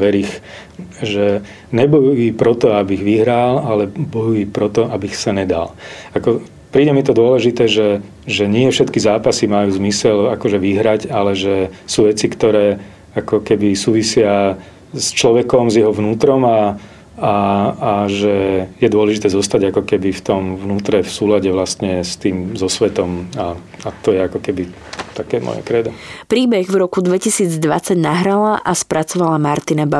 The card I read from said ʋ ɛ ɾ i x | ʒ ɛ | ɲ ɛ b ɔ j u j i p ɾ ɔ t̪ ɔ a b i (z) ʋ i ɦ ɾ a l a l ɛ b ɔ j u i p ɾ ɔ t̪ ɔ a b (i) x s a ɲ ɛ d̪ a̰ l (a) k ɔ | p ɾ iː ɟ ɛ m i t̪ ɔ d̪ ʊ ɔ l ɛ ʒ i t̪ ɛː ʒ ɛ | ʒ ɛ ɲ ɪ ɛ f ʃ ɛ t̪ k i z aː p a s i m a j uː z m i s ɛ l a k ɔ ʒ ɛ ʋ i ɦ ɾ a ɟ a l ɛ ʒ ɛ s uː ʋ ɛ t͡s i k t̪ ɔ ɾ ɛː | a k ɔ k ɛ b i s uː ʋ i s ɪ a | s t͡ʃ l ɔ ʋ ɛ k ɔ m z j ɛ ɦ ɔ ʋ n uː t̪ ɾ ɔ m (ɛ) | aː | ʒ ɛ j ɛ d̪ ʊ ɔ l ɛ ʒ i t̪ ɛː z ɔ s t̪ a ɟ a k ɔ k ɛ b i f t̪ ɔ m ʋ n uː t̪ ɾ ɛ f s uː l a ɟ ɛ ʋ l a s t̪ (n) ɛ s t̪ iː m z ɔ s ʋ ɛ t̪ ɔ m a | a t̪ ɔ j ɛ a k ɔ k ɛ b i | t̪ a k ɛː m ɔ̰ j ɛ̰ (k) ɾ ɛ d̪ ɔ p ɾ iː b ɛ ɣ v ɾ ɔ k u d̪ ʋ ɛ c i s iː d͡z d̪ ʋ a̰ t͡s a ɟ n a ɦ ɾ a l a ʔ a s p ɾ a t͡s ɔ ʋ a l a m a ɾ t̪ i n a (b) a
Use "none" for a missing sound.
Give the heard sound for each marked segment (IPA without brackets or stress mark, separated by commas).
ɣ, i, a, a, ɲ, k, b